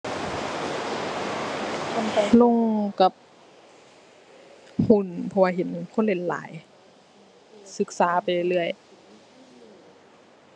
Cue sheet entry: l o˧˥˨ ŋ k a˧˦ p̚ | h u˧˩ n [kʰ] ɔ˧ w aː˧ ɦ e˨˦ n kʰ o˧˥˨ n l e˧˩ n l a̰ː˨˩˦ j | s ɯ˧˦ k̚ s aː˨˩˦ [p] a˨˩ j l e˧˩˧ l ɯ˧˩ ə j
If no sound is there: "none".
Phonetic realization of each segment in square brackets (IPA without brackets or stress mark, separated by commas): pʰ, p